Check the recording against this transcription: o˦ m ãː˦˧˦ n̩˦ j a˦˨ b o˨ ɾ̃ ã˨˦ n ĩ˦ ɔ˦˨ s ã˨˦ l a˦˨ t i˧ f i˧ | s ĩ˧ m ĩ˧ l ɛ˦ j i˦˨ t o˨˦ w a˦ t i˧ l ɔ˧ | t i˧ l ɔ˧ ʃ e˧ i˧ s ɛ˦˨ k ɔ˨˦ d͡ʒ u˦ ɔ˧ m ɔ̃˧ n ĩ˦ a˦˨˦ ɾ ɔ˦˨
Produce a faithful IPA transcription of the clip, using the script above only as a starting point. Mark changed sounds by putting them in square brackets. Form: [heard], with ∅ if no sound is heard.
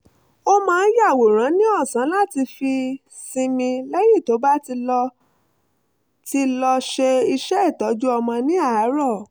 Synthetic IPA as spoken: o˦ m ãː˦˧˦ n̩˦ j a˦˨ [w] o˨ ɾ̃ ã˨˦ n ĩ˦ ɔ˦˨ s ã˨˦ l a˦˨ t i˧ f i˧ | s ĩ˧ m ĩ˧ l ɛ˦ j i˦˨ t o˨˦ [b] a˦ t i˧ l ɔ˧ | t i˧ l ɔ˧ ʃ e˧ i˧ [ʃ] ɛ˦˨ [t] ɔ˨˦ d͡ʒ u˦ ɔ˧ m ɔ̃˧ n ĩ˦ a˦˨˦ ɾ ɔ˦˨